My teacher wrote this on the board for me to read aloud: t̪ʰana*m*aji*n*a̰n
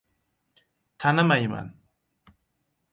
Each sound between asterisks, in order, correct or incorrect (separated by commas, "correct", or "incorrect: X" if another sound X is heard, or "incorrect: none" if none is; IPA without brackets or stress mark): correct, incorrect: m